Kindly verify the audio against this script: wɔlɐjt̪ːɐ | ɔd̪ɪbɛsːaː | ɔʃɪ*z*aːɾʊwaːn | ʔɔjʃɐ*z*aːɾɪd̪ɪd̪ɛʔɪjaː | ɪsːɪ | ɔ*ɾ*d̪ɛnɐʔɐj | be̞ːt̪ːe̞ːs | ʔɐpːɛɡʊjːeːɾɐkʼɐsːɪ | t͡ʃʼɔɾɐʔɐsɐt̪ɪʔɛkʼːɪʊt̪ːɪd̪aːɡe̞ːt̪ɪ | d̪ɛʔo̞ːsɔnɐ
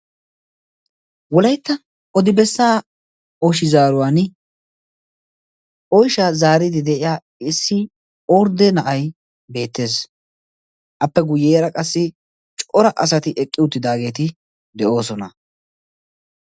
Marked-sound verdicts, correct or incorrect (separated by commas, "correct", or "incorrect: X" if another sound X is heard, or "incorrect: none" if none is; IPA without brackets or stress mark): correct, correct, correct